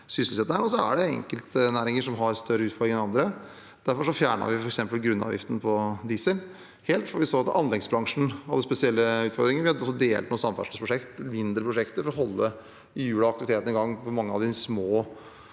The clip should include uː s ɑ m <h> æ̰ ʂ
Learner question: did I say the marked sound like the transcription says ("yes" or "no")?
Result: no